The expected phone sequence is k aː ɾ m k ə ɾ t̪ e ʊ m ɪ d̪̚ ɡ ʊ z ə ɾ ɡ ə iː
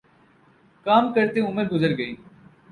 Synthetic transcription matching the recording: k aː m k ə ɾ t̪ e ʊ m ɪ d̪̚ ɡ ʊ z ə ɾ ɡ ə iː